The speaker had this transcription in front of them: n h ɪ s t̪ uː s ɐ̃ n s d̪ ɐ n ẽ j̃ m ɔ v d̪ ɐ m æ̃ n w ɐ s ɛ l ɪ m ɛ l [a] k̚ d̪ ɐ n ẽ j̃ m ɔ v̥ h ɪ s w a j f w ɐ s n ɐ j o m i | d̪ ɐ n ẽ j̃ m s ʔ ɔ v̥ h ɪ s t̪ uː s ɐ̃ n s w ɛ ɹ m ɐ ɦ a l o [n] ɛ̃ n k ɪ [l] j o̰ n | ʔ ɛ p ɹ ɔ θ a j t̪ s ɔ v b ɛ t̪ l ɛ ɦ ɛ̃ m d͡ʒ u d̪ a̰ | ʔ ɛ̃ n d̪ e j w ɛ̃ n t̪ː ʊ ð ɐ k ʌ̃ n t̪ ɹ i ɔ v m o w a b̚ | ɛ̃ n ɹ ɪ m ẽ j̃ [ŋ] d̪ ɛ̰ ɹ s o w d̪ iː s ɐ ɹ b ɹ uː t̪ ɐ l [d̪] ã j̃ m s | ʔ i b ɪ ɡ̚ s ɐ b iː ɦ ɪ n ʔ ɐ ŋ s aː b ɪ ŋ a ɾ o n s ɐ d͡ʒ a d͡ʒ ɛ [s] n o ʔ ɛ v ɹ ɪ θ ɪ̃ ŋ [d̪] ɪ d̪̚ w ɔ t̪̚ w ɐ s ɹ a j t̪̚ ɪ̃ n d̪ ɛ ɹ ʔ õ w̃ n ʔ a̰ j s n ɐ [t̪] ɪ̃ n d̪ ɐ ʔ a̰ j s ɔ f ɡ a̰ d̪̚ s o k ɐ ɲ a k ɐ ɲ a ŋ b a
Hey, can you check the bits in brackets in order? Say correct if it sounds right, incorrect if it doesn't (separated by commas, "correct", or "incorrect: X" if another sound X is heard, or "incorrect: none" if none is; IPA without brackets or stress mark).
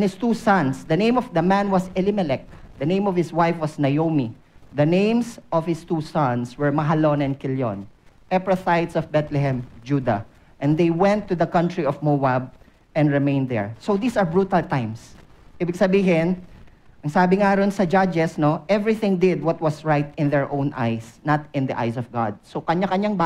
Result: incorrect: ɛ, correct, correct, incorrect: n, incorrect: t̪, correct, correct, correct